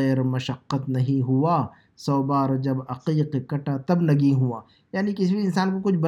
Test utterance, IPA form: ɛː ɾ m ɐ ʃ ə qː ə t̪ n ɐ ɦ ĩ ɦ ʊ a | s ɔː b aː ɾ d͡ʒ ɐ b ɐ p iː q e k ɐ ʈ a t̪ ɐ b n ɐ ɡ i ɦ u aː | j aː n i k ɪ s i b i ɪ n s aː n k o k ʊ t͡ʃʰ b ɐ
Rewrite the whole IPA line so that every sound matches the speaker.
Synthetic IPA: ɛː ɾ m ɐ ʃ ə qː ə t̪ n ɐ ɦ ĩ ɦ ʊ a | s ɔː b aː ɾ d͡ʒ ɐ b ɐ q iː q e k ɐ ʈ a t̪ ɐ b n ɐ ɡ i ɦ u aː | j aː n i k ɪ s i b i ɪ n s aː n k o k ʊ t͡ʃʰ b ɐ